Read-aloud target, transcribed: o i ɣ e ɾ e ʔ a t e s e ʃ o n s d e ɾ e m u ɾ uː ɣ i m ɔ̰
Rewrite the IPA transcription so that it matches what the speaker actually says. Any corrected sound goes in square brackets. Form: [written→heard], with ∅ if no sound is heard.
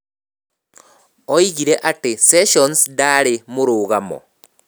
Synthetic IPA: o i ɣ [e→i] ɾ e ʔ a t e s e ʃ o n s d [e→a] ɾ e m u ɾ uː ɣ [i→a] m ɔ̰